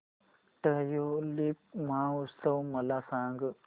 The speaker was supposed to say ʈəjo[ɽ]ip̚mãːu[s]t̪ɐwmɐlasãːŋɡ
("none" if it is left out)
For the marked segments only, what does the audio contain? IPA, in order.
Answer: l, s

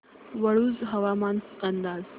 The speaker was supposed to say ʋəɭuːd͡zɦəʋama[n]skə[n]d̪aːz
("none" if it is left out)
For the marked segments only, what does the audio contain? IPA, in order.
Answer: n, n

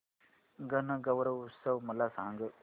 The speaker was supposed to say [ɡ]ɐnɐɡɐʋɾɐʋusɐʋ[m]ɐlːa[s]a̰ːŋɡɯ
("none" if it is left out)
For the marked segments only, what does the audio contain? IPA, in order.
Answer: ɡ, m, s

